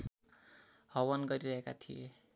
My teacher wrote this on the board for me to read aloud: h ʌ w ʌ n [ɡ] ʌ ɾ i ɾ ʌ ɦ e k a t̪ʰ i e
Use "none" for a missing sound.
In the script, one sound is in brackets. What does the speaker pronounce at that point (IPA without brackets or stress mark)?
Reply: ɡ